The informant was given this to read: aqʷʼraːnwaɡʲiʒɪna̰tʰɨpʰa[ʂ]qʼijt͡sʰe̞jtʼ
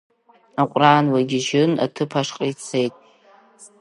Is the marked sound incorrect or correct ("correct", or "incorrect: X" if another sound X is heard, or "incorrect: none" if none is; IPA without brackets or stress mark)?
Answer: correct